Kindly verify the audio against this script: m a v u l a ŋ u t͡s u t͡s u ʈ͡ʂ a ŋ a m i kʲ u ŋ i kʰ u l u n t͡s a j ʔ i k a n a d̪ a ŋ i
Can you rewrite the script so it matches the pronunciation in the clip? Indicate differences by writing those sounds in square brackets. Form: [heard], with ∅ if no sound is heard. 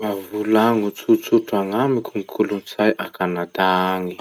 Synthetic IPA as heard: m a v u l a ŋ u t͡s u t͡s u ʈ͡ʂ a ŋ a m i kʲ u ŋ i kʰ u l u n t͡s a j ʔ [a] k a n a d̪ a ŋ i